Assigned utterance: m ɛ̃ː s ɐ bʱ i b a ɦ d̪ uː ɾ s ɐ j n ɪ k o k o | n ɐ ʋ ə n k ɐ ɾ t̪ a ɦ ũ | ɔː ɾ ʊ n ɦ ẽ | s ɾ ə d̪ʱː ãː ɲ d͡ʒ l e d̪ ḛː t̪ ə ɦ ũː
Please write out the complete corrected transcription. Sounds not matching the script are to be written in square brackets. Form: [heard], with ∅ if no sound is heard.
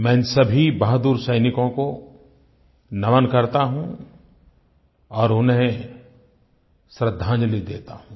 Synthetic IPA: m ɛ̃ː s ɐ bʱ i b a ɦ d̪ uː ɾ s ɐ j n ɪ k [õ] k o | n ɐ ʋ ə n k ɐ ɾ t̪ a ɦ ũ | ɔː ɾ ʊ n ɦ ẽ | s ɾ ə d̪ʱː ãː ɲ d͡ʒ l [i] d̪ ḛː t̪ [a] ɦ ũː